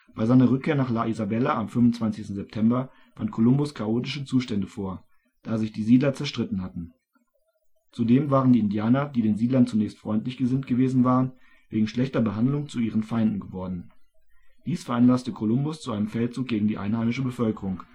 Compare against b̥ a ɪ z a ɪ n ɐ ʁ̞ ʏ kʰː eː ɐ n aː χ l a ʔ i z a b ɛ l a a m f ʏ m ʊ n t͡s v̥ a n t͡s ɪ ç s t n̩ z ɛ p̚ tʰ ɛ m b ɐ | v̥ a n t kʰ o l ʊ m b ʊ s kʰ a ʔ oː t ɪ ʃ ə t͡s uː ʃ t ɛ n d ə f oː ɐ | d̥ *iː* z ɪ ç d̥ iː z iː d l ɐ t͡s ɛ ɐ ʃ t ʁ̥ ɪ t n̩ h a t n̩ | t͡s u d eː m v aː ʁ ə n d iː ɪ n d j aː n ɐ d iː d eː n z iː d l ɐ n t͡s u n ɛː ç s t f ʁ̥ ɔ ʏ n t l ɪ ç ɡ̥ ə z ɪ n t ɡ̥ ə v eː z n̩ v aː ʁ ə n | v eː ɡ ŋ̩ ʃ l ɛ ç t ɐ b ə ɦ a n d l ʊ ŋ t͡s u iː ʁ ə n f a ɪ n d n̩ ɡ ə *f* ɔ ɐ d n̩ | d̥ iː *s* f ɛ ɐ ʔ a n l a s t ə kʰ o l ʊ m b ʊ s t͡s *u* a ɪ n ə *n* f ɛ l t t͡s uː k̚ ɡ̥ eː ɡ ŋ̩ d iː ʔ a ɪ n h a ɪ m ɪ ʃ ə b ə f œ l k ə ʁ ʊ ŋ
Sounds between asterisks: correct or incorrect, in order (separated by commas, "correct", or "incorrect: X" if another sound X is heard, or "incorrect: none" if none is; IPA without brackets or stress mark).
incorrect: aː, incorrect: v, correct, correct, incorrect: m